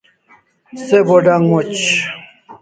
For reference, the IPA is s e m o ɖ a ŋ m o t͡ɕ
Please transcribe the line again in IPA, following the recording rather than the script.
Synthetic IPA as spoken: s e b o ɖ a ŋ m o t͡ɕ